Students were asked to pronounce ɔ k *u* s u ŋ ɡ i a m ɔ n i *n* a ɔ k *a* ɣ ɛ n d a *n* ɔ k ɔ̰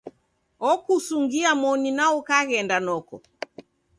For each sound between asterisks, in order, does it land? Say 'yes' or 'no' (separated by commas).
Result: yes, yes, yes, yes